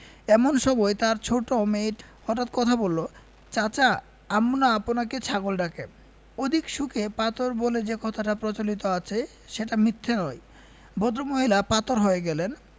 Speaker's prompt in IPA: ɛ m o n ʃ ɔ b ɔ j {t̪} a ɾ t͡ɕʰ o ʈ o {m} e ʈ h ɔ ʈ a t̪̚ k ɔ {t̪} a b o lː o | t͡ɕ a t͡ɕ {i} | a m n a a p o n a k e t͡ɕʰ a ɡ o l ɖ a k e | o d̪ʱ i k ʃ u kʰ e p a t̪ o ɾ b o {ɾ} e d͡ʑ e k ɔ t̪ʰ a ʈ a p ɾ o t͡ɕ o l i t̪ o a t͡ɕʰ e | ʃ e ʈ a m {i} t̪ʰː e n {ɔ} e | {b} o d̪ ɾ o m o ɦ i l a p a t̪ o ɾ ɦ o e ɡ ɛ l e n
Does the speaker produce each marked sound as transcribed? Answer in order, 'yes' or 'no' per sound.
yes, yes, no, no, no, yes, yes, yes

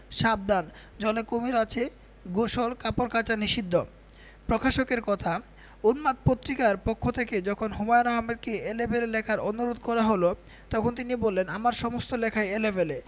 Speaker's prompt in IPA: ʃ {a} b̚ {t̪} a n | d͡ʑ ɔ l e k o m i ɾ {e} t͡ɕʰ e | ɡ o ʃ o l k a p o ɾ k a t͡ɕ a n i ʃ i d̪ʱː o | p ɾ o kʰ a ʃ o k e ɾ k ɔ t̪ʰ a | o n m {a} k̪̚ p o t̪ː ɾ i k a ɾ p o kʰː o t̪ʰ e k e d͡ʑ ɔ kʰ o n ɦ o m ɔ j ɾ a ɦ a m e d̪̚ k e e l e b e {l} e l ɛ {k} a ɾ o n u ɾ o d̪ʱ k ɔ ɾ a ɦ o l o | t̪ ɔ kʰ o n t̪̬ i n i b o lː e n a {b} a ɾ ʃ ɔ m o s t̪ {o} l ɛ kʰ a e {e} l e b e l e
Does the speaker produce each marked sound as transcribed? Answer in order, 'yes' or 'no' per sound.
yes, no, no, yes, yes, no, no, yes, yes

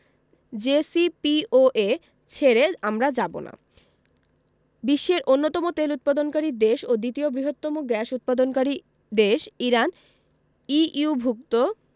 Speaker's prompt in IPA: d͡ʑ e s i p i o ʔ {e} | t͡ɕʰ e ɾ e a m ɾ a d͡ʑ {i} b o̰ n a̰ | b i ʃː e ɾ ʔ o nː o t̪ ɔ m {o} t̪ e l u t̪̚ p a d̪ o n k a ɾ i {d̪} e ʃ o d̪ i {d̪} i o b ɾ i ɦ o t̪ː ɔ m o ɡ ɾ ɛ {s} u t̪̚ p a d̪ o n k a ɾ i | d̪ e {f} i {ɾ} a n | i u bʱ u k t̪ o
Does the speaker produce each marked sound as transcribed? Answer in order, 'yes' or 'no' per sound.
yes, no, yes, yes, no, no, no, yes

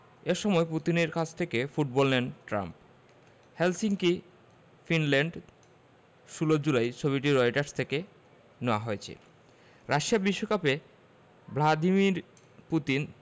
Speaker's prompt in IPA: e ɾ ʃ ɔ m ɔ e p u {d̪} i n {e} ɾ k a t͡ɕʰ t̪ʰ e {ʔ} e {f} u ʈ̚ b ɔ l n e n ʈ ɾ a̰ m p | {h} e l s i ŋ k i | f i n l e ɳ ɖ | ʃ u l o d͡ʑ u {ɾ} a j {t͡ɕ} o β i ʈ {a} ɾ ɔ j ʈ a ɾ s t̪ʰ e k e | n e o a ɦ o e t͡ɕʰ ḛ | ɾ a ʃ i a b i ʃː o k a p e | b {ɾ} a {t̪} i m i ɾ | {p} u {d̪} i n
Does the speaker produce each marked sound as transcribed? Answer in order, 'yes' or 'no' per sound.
no, yes, no, yes, yes, no, no, no, no, no, yes, no

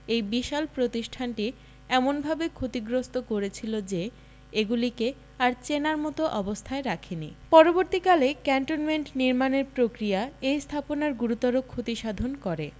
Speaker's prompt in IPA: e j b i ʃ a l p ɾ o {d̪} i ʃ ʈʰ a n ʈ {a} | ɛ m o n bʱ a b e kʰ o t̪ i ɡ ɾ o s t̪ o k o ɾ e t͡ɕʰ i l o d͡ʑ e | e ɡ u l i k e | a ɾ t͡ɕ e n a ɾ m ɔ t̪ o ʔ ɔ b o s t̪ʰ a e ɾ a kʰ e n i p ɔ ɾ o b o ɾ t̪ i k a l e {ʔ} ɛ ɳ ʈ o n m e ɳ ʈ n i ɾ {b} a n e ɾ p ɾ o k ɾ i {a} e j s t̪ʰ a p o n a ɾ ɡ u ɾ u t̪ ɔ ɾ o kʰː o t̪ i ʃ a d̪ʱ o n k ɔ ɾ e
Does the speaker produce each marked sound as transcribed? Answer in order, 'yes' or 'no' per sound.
no, no, no, no, yes

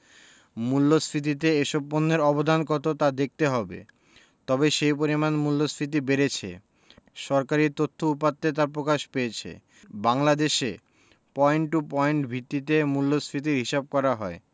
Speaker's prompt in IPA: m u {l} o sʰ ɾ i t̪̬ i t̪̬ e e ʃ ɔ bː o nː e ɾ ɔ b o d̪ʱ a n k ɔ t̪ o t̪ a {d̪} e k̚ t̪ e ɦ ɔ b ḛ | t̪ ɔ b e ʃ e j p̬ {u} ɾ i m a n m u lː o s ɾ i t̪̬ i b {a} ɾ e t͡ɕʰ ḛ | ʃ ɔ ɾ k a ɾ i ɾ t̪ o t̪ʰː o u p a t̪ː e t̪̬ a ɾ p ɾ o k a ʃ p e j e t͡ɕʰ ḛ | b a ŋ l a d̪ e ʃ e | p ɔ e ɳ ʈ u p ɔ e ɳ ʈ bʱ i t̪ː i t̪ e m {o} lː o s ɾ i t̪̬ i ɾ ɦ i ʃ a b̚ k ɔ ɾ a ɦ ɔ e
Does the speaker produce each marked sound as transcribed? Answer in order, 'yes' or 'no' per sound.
no, yes, no, no, no

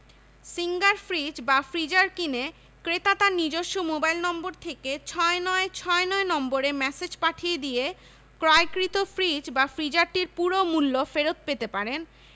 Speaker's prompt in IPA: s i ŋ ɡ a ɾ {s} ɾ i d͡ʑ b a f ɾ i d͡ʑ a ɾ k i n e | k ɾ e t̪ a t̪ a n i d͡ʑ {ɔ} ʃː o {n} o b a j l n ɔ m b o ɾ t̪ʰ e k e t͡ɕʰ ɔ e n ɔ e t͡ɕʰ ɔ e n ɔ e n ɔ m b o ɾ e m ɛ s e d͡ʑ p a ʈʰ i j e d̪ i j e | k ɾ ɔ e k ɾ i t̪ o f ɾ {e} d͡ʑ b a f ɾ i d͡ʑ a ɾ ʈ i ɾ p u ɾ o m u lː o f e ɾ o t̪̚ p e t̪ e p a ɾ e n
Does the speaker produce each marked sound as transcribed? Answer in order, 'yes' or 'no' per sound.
no, no, no, no

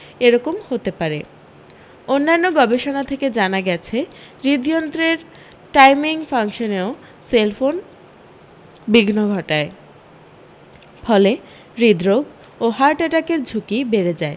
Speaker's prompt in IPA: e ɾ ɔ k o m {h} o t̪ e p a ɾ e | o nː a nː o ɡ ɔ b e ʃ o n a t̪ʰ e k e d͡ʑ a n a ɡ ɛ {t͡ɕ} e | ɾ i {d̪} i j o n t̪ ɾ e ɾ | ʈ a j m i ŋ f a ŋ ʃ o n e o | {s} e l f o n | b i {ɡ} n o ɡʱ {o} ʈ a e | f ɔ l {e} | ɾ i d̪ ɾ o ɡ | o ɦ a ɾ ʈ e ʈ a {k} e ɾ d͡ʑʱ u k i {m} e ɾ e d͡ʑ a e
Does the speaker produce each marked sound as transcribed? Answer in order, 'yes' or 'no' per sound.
yes, no, yes, yes, yes, no, yes, yes, no

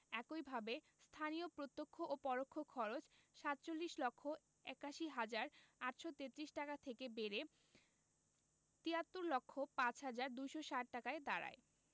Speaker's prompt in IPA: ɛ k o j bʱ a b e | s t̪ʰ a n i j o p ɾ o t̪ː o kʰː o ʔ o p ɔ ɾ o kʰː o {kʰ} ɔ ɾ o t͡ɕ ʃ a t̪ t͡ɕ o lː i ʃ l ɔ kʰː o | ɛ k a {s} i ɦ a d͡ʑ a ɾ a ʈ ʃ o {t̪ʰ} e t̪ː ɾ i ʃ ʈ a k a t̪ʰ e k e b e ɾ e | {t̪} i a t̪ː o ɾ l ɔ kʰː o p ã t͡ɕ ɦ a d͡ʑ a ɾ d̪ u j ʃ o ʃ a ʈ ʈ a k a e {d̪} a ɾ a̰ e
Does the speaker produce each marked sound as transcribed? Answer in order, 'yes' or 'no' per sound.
yes, no, no, yes, yes

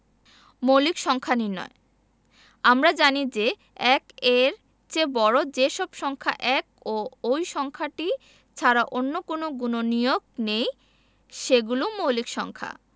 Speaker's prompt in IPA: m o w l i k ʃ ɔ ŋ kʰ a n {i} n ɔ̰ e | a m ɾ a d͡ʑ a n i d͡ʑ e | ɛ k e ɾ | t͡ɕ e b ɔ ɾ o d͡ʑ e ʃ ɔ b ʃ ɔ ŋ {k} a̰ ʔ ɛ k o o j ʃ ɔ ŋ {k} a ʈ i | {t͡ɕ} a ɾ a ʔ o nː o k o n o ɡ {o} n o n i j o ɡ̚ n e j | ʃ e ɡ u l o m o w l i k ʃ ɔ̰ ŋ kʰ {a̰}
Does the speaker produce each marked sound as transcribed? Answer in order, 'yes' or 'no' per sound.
yes, no, no, no, no, yes

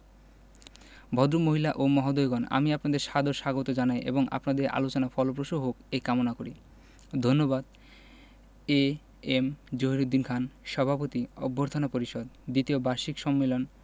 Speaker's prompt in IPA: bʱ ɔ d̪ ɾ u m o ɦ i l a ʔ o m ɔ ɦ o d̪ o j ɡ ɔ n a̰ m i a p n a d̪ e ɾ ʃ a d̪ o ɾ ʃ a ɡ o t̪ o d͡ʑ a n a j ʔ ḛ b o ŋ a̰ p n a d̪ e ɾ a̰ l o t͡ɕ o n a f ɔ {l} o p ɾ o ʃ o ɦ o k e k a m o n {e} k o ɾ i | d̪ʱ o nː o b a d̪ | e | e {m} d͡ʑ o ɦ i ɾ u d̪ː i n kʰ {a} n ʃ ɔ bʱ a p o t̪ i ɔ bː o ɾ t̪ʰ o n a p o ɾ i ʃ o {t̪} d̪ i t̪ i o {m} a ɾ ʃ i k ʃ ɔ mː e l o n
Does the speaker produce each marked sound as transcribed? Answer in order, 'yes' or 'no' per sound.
yes, no, yes, yes, no, no

